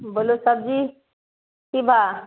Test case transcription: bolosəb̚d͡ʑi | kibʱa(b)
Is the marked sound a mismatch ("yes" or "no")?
yes